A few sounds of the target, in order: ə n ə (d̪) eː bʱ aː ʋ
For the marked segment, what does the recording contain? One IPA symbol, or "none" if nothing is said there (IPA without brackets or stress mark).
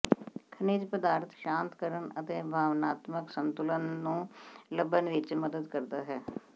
t̪